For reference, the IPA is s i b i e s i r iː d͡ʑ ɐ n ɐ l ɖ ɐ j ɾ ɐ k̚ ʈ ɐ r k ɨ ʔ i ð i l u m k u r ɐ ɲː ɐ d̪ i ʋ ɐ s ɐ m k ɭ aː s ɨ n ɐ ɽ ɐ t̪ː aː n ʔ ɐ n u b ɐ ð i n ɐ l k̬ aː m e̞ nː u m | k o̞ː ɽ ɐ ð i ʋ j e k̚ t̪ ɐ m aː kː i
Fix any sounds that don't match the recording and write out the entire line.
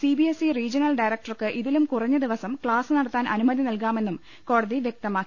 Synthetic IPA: s i b i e s i r iː d͡ʑ ɐ n ɐ l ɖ ɐ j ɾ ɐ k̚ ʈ ɐ r k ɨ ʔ i ð i l u m k u r ɐ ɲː ɐ d̪ i ʋ ɐ s ɐ m k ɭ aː s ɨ n ɐ ɽ ɐ t̪ː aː n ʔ ɐ n u m ɐ ð i n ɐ l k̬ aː m e̞ nː u m | k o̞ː ɽ ɐ ð i ʋ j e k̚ t̪ ɐ m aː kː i